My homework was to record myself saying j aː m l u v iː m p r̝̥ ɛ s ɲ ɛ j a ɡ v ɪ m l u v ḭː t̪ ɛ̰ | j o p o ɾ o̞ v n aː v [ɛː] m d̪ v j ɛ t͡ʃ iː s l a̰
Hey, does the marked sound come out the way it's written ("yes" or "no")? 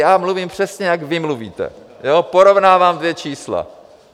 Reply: no